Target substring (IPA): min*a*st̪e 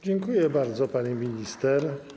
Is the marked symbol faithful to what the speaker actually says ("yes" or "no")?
no